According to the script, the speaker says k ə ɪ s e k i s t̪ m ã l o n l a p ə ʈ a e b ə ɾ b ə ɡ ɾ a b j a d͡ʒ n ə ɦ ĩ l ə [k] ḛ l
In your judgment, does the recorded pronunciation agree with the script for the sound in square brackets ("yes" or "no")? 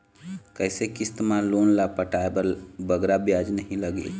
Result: no